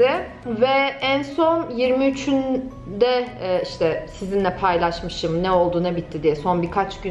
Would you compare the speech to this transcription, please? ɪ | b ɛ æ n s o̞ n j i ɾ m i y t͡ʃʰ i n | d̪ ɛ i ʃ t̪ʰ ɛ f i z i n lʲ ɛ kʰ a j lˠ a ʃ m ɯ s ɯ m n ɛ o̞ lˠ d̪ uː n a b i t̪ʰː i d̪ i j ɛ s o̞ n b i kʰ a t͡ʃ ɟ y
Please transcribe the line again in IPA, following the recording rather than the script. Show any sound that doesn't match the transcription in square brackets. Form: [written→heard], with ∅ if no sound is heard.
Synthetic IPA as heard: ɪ | [b→v] ɛ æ n s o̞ n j i ɾ m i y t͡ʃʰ [i→y] n | d̪ ɛ i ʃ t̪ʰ ɛ [f→s] i z i n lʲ ɛ [kʰ→pʰ] a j lˠ a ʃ m ɯ [s→ʃ] ɯ m n ɛ o̞ lˠ d̪ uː n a b i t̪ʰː i d̪ i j ɛ s o̞ n b i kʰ a t͡ʃ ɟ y